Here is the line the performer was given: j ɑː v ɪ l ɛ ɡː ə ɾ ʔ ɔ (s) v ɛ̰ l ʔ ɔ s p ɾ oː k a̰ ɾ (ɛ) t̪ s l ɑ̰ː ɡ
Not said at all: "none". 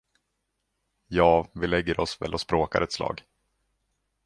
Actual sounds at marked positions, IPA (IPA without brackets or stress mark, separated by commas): s, ɛ